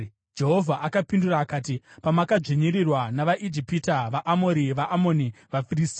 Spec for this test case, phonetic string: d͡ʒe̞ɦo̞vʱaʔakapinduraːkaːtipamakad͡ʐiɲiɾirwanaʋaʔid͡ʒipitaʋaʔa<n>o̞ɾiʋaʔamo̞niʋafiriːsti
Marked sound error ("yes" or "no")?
yes